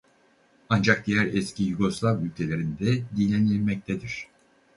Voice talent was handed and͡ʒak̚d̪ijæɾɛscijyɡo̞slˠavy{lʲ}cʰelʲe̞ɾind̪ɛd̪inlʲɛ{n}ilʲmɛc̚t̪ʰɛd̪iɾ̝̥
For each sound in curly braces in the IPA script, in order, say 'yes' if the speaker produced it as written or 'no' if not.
yes, yes

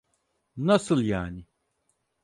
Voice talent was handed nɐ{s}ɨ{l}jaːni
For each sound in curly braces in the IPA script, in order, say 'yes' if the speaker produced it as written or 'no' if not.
yes, yes

